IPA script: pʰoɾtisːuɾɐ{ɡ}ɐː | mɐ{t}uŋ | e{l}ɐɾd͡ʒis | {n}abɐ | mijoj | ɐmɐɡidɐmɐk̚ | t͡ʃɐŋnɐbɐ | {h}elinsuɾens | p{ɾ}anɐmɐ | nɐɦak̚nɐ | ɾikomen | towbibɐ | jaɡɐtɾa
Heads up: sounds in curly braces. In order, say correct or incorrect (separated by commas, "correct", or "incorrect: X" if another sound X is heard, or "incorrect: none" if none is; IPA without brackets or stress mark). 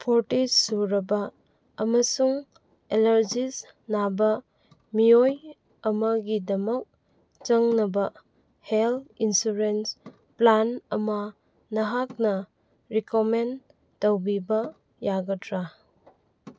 incorrect: b, incorrect: s, correct, correct, correct, incorrect: l